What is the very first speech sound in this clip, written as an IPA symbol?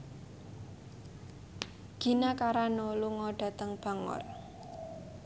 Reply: ɡ̥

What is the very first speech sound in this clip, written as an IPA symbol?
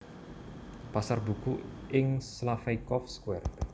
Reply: p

